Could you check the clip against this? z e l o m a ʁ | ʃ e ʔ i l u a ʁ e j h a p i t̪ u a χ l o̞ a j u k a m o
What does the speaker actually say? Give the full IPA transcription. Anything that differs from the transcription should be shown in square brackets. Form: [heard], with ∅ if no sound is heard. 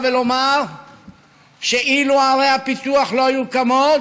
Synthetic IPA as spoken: [v] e l o m a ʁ | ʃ e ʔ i l u a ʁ e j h a p i t̪ u a χ l o̞ a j u k a m o